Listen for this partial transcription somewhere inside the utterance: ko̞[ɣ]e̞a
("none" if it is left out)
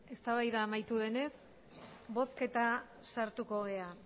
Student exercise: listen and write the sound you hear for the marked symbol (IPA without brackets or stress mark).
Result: ɣ